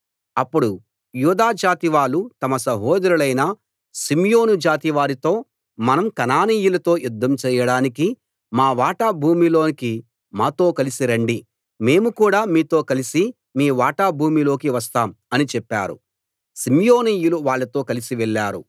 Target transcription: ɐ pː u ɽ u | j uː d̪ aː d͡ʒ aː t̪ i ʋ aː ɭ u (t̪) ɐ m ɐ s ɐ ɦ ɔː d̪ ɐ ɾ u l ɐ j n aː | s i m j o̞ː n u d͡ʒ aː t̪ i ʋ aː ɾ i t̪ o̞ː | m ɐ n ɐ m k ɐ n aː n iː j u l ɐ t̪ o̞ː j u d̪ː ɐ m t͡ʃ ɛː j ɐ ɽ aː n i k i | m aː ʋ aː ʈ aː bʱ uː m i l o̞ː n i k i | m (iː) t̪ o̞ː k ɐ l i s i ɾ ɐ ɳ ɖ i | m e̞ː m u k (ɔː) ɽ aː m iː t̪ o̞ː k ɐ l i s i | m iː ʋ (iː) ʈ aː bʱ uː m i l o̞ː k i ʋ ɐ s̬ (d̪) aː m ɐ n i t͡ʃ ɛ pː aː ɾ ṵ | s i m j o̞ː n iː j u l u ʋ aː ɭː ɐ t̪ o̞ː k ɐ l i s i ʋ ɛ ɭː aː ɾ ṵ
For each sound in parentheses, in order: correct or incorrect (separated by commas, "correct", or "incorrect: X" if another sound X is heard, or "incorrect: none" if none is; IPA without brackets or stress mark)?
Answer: correct, incorrect: aː, incorrect: uː, incorrect: aː, incorrect: t̪